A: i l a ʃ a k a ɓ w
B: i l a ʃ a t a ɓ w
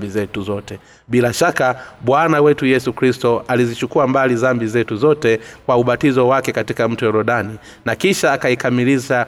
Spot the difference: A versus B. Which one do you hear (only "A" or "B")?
A